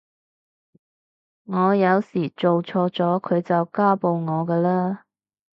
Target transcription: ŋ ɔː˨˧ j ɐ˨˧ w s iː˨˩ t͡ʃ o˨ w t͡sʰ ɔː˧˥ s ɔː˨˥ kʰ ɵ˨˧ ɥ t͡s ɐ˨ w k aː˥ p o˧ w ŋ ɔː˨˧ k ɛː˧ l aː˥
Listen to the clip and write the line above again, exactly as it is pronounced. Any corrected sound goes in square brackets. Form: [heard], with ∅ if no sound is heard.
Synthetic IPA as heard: ŋ ɔː˨˧ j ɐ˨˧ w s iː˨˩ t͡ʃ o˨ w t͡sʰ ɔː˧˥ [t͡s] ɔː˨˥ kʰ ɵ˨˧ ɥ t͡s ɐ˨ w k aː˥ p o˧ w ŋ ɔː˨˧ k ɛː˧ l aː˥